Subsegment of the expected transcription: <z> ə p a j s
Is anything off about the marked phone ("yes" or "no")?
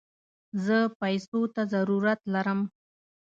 no